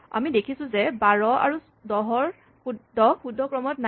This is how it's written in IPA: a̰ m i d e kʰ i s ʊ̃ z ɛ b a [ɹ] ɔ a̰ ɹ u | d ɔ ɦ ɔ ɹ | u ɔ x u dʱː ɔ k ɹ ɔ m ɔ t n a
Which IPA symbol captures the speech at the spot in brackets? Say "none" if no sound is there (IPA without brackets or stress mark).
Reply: ɹ